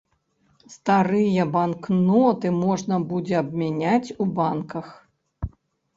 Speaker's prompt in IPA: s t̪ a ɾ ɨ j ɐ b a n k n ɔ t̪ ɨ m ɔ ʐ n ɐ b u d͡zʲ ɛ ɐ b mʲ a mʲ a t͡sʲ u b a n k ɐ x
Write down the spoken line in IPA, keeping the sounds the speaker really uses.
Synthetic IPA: s t̪ a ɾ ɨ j ɐ b a n k n ɔ t̪ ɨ m ɔ ʐ n ɐ b u d͡zʲ ɛ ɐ b mʲ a nʲ a t͡sʲ u b a n k ɐ x